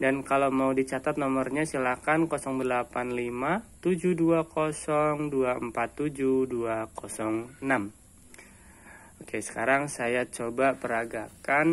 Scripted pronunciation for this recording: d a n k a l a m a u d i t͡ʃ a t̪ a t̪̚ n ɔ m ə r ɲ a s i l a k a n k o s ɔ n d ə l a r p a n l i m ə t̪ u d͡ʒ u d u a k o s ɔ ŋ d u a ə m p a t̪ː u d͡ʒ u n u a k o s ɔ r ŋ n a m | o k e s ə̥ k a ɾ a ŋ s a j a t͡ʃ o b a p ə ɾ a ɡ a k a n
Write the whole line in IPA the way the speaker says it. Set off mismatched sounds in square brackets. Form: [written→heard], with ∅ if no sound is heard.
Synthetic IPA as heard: d a n k a l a m a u d i t͡ʃ a t̪ a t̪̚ n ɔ m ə r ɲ a s i l a k a n k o s ɔ [n→ŋ] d ə l a [r→∅] p a n l i m [ə→a] t̪ u d͡ʒ u d u a k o s ɔ ŋ d u a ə m p a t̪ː u d͡ʒ u [n→d] u a k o s ɔ [r→∅] ŋ n a m | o k e s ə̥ k a ɾ a ŋ s a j a t͡ʃ o b a p ə ɾ a ɡ a k a n

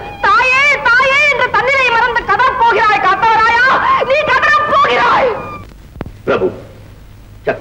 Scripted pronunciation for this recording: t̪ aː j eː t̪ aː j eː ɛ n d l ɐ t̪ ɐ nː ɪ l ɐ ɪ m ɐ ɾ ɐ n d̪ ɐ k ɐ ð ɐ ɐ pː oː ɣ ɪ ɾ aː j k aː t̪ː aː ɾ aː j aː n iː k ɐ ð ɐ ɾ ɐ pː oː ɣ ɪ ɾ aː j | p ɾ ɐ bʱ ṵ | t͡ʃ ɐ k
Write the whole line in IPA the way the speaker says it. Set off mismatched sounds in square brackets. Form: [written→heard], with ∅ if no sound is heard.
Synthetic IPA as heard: t̪ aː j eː t̪ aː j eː ɛ n d [l→r] ɐ t̪ ɐ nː ɪ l ɐ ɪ m ɐ ɾ ɐ n d̪ ɐ k ɐ ð ɐ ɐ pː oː ɣ ɪ ɾ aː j k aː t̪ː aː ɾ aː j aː n iː k ɐ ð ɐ ɾ ɐ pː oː ɣ ɪ ɾ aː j | p ɾ ɐ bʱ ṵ | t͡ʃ ɐ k

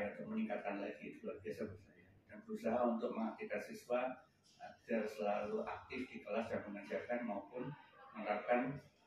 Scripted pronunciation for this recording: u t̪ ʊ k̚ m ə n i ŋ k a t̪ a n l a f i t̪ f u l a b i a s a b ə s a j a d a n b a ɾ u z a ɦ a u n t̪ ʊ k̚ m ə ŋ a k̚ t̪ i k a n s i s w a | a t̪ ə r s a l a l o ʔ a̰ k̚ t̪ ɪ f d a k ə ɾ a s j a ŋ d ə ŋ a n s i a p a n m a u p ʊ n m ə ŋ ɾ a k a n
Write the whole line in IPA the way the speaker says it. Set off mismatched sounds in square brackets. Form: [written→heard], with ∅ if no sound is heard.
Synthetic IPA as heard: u t̪ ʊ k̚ m ə n i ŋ k a t̪ a n l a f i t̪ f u l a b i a s a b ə s a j a d a n b [a→ə] ɾ u [z→s] a ɦ a u n t̪ ʊ k̚ m ə ŋ a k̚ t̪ i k a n s i s w a | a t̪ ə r s [a→ə] l a l [o→u] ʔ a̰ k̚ t̪ ɪ f d [a→i] k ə [ɾ→l] a s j a ŋ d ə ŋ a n s i a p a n m a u p ʊ n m ə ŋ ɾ a k a n

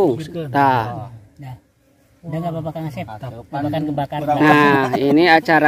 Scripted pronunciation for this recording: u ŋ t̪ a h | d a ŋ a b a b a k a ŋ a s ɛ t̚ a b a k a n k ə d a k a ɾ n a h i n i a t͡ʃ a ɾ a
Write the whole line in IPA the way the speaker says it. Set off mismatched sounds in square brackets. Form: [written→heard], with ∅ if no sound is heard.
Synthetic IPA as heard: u ŋ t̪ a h | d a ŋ a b a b a k a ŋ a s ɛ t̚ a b a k a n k ə [d→b] a k a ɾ n a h i n i a t͡ʃ a ɾ a

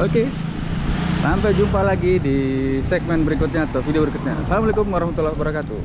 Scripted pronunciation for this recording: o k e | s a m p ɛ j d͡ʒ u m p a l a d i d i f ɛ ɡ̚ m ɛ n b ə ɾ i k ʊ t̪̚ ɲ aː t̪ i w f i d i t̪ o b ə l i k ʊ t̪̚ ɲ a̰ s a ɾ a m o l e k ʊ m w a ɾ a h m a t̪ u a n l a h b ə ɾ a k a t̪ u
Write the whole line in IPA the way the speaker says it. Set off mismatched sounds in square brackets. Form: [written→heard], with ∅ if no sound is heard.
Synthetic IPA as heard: o k e | s a m p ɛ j d͡ʒ u m p a l a [d→ɡ] i d i [f→s] ɛ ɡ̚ m ɛ n b ə ɾ i k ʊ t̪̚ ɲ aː t̪ [i→a] w f i d i [t̪→∅] o b ə [l→ɾ] i k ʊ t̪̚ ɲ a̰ s a [ɾ→l] a m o l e k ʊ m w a ɾ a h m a t̪ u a [n→∅] l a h b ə ɾ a k a t̪ u

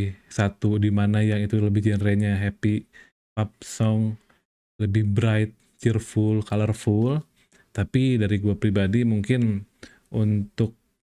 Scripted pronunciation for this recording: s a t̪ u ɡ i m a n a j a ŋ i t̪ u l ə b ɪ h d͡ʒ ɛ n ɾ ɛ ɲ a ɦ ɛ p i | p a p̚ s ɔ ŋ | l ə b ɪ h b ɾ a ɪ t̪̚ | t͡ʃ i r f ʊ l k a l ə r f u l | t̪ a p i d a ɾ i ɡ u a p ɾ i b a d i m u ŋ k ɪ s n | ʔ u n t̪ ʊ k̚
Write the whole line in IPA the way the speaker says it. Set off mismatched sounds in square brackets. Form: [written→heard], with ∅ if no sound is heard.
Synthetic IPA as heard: s a t̪ u [ɡ→d] i m a n a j a ŋ i t̪ u l ə b ɪ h d͡ʒ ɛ n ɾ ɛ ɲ a ɦ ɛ p i | p a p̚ s ɔ ŋ | l ə b ɪ h b ɾ a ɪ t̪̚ | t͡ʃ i r f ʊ l k a l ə r f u l | t̪ a p i d a ɾ i ɡ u a p ɾ i b a d i m u ŋ k ɪ [s→∅] n | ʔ u n t̪ ʊ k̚

